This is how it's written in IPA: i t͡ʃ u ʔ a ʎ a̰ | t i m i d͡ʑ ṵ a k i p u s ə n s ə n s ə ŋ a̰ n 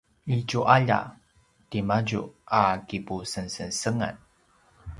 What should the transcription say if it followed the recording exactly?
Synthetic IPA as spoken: i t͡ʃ u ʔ a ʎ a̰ | t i m a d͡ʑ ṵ a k i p u s ə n s ə n s ə ŋ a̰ n